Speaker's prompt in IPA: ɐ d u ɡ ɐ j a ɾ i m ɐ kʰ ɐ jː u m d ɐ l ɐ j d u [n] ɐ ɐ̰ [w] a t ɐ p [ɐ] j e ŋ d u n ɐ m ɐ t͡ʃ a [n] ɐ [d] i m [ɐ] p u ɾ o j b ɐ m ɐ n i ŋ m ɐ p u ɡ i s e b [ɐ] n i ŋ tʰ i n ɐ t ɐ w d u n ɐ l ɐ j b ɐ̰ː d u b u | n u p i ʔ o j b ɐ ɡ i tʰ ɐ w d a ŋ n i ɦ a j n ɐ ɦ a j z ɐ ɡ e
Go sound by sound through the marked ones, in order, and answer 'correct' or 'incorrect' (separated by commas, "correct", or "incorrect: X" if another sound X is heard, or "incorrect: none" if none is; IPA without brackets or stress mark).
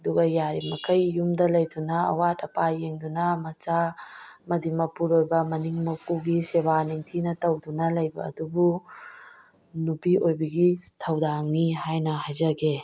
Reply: correct, correct, incorrect: a, incorrect: m, correct, correct, incorrect: a